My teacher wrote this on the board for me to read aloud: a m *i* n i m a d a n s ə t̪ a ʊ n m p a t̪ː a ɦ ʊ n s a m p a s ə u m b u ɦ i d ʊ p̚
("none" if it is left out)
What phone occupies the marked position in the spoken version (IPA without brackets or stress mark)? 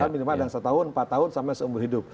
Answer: i